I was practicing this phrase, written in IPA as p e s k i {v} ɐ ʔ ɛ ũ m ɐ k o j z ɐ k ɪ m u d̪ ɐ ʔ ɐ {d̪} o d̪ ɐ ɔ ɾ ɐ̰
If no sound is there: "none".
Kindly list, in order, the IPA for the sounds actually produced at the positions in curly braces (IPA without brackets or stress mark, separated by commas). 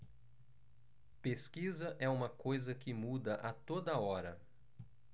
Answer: z, t̪